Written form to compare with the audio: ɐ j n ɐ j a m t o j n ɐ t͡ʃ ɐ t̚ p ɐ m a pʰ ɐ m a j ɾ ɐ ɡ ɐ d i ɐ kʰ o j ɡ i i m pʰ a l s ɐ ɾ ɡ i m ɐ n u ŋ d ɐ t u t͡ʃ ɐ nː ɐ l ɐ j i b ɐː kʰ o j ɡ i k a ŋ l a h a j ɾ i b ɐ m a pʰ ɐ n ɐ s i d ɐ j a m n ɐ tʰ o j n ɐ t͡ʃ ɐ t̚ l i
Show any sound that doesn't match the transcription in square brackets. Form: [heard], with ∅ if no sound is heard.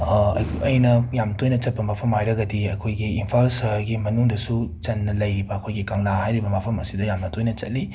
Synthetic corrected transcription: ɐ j n ɐ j a m t o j n ɐ t͡ʃ ɐ t̚ p ɐ m a pʰ ɐ m a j ɾ ɐ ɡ ɐ d i ɐ kʰ o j ɡ i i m pʰ a l s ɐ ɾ ɡ i m ɐ n u ŋ d ɐ [s] u t͡ʃ ɐ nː ɐ l ɐ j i b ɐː kʰ o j ɡ i k a ŋ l a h a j ɾ i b ɐ m a pʰ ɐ [m] ɐ s i d ɐ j a m n ɐ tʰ o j n ɐ t͡ʃ ɐ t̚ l i